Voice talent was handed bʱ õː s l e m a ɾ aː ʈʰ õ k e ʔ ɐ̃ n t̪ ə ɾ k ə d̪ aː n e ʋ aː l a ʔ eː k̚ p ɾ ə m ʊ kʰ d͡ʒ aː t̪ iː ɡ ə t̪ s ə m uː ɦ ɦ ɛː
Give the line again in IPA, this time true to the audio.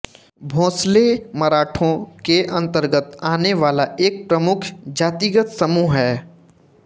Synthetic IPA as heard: bʱ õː s l e m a ɾ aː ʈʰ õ k e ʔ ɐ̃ n t̪ ə ɾ ɡ ə t̪ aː n e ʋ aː l a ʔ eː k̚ p ɾ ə m ʊ kʰ d͡ʒ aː t̪ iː ɡ ə t̪ s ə m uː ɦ ɦ ɛː